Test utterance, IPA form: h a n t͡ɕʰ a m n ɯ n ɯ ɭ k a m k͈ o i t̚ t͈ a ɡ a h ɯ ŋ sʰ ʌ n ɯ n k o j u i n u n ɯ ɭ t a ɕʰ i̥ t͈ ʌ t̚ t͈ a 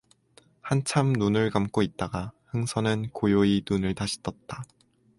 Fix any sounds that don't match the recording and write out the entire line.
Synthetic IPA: h a n t͡ɕʰ a m n u n ɯ ɭ k a m k͈ o i t̚ t͈ a ɡ a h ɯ ŋ sʰ ʌ n ɯ n k o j o i n u n ɯ ɭ t a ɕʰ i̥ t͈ ʌ t̚ t͈ a

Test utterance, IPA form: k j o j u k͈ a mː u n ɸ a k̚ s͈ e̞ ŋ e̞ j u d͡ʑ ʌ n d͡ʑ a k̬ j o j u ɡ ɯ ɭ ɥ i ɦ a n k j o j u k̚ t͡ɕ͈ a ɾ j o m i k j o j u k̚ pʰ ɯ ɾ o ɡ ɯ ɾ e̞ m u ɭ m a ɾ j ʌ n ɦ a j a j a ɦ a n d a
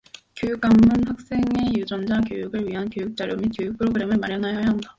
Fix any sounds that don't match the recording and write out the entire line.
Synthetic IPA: k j o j u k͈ a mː u n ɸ a k̚ s͈ e̞ ŋ e̞ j u d͡ʑ ʌ n d͡ʑ a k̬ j o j u ɡ ɯ ɭ ɥ i ɦ a n k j o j u k̚ t͡ɕ͈ a ɾ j o m i k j o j u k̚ pʰ ɯ ɾ o ɡ ɯ ɾ e̞ m ɯ ɭ m a ɾ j ʌ n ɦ a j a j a ɦ a n d a

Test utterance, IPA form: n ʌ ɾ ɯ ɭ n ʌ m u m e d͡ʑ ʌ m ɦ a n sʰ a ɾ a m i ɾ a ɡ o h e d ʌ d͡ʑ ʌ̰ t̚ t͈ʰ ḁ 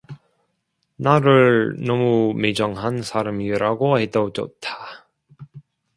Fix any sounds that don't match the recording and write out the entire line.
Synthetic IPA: n a ɾ ɯ ɭ n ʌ m u m e d͡ʑ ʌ ŋ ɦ a n sʰ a ɾ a m i ɾ a ɡ o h e d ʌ d͡ʑ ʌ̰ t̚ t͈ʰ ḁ

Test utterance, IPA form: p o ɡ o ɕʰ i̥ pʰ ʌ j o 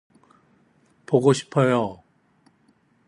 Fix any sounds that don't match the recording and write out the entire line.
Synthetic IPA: p o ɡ o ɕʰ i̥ pʰ ʌ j o

